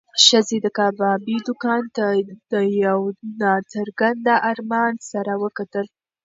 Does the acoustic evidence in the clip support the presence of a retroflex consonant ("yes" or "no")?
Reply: no